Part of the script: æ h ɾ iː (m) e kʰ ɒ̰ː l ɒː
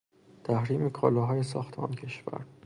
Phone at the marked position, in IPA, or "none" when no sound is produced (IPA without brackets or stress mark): m